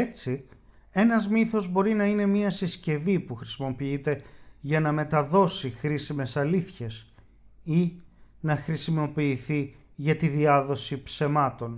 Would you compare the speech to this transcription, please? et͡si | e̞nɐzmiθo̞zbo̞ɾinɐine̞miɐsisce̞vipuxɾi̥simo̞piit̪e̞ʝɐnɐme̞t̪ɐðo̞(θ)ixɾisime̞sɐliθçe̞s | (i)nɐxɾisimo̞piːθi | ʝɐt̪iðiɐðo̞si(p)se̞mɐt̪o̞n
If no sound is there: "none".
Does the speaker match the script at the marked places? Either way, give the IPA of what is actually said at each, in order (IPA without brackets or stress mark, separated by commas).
s, i, p